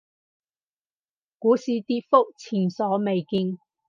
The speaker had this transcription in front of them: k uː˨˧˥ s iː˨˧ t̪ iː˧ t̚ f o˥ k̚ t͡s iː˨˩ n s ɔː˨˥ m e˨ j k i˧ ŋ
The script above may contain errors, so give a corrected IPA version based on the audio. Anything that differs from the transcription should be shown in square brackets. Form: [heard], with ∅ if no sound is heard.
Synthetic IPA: k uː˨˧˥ s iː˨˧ t̪ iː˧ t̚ f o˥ k̚ [t͡sʰ] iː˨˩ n s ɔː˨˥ m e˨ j k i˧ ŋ